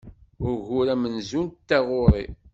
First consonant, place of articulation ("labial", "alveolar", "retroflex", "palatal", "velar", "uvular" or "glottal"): alveolar